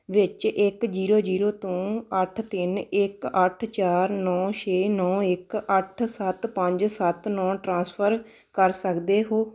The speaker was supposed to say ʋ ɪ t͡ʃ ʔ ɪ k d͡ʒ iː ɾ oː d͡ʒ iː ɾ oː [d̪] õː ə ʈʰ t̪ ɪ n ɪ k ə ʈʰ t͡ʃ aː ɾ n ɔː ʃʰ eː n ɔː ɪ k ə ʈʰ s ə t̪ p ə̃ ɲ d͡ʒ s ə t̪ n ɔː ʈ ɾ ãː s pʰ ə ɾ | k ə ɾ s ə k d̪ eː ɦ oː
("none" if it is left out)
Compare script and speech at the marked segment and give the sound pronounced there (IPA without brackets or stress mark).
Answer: t̪